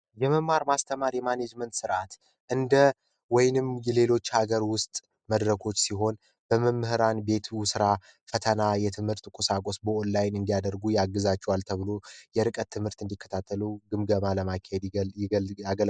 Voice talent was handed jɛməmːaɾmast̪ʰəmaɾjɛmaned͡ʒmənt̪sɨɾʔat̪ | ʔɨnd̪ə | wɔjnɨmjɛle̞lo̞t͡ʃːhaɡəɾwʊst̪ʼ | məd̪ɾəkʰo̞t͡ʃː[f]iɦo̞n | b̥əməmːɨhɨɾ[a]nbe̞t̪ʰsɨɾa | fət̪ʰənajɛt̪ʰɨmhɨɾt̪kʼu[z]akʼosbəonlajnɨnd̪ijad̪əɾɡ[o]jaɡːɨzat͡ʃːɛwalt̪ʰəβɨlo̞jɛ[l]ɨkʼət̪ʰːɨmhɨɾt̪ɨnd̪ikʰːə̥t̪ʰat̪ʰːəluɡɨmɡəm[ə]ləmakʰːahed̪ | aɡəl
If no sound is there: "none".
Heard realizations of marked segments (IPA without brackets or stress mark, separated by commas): s, a, s, u, ɾ, a